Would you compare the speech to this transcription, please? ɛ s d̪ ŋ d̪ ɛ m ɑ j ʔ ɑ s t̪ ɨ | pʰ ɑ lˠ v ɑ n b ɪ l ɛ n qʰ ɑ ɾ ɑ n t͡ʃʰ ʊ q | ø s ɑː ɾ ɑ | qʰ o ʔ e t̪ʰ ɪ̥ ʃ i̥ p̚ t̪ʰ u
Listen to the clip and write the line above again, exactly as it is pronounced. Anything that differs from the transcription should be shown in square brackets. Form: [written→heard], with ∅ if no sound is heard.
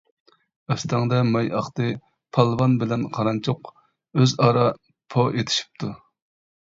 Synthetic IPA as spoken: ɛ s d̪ ŋ d̪ ɛ m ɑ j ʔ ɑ [s→χ] t̪ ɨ | pʰ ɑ lˠ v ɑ n b ɪ l ɛ n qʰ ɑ ɾ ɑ n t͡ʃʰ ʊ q | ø [s→z] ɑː ɾ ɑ | [qʰ→pʰ] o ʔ e t̪ʰ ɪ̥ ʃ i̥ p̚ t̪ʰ u